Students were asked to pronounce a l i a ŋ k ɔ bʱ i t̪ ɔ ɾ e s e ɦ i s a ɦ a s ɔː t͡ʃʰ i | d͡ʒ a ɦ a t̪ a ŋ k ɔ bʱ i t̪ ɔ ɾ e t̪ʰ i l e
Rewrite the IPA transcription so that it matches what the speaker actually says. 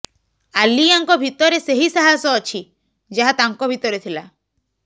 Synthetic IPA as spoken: a l i a ŋ k ɔ bʱ i t̪ ɔ ɾ e s e ɦ i s a ɦ a s ɔː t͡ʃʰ i | d͡ʒ a ɦ a t̪ a ŋ k ɔ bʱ i t̪ ɔ ɾ e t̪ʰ i l a

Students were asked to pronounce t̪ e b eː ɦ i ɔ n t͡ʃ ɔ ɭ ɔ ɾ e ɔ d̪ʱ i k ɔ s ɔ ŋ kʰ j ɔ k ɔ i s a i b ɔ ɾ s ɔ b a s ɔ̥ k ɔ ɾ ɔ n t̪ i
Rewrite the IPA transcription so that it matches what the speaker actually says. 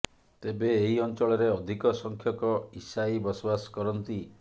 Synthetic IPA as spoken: t̪ e b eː ɦ i ɔ n t͡ʃ ɔ ɭ ɔ ɾ e ɔ d̪ʱ i k ɔ s ɔ ŋ kʰ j ɔ k ɔ i s a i b ɔ s ɔ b a s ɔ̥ k ɔ ɾ ɔ n t̪ i

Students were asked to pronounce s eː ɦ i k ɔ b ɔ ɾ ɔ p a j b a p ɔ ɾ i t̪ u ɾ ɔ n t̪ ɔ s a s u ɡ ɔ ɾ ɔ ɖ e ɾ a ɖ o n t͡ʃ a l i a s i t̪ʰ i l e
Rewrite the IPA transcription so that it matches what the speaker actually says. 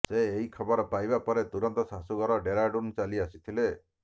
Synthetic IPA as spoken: s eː ɦ i kʰ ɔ b ɔ ɾ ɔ p a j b a p ɔ ɾ e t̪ u ɾ ɔ n t̪ ɔ s a s u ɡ ɔ ɾ ɔ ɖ e ɾ a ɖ u n t͡ʃ a l i a s i t̪ʰ i l e

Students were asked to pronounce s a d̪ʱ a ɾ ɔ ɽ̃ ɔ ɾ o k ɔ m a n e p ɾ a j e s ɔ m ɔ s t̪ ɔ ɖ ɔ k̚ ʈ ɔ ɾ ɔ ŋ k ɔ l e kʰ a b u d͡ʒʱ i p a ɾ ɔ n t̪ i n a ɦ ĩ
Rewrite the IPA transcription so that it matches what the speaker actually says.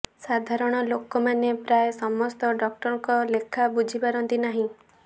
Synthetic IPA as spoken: s a d̪ʱ a ɾ ɔ ɽ̃ ɔ l o k ɔ m a n e p ɾ a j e s ɔ m ɔ s t̪ ɔ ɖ ɔ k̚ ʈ ɔ ɾ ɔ ŋ k ɔ l e kʰ a b u d͡ʒʱ i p a ɾ ɔ n t̪ i n a ɦ ĩ

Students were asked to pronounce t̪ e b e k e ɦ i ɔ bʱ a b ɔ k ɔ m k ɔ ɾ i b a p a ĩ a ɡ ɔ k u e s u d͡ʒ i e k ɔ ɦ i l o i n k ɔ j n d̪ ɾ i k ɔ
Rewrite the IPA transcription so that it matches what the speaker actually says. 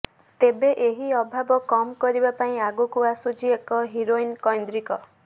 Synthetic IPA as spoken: t̪ e b e ʔ e ɦ i ɔ bʱ a b ɔ k ɔ m k ɔ ɾ i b a p a ĩ a ɡ u k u a s u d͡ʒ i e k ɔ ɦ i ɾ o i n k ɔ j n d̪ ɾ i k ɔ

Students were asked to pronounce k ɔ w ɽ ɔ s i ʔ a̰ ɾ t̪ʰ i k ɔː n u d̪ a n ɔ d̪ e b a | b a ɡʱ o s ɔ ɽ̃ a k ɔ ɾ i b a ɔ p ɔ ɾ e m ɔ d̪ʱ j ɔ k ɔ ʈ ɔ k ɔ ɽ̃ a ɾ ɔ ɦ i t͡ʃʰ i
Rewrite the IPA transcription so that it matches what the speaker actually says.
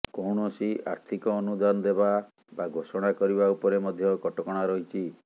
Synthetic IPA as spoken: k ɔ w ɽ ɔ s i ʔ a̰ ɾ t̪ʰ i k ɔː n u d̪ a n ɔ d̪ e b a | b a ɡʱ o s ɔ ɽ̃ a k ɔ ɾ i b a u p ɔ ɾ e m ɔ d̪ʱ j ɔ k ɔ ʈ ɔ k ɔ ɽ̃ a ɾ ɔ ɦ i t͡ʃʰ i

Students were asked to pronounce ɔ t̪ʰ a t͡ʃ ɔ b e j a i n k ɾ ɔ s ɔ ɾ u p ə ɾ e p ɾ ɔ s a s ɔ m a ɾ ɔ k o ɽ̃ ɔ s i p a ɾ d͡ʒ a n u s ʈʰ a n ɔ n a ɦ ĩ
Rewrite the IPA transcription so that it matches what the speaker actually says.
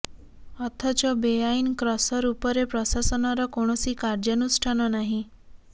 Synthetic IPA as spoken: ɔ t̪ʰ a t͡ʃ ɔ b e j a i n k ɾ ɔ s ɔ ɾ u p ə ɾ e p ɾ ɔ s a s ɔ n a ɾ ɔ k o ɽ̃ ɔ s i k a ɾ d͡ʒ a n u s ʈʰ a n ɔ n a ɦ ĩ

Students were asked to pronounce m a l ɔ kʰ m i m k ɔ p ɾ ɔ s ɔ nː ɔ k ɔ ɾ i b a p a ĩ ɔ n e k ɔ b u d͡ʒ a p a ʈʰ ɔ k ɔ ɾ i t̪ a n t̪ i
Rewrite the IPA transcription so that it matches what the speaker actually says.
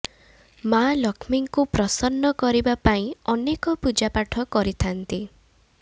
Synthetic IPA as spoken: m a l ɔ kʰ m i ŋ k u p ɾ ɔ s ɔ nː ɔ k ɔ ɾ i b a p a ĩ ɔ n e k ɔ p u d͡ʒ a p a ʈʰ ɔ k ɔ ɾ i t̪ʰ a n t̪ i

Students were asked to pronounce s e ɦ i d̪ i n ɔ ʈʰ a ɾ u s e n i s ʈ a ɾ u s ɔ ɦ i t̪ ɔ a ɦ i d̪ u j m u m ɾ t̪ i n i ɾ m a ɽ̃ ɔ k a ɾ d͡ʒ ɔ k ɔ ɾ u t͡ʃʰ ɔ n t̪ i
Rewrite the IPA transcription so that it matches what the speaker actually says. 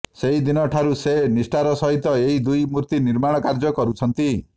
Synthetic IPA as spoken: s e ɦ i d̪ i n ɔ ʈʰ a ɾ u s e n i s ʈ a ɾ ɔ s ɔ ɦ i t̪ ɔ e ɦ i d̪ u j m u ɾ t̪ i n i ɾ m a ɽ̃ ɔ k a ɾ d͡ʒ ɔ k ɔ ɾ u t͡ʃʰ ɔ n t̪ i

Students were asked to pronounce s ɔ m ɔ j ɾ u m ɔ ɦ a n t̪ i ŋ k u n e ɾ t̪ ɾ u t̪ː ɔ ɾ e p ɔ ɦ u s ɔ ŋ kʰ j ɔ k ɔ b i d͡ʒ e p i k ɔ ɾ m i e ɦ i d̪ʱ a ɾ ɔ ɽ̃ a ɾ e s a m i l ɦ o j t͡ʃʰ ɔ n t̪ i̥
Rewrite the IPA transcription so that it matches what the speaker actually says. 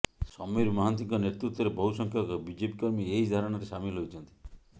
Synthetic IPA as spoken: s ɔ m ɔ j ɾ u m ɔ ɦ a n t̪ i ŋ k ɔ n e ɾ t̪ ɾ u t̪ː ɔ ɾ e b ɔ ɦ u s ɔ ŋ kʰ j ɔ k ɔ b i d͡ʒ e p i k ɔ ɾ m i e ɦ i d̪ʱ a ɾ ɔ ɽ̃ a ɾ e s a m i l ɦ o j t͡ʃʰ ɔ n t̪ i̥

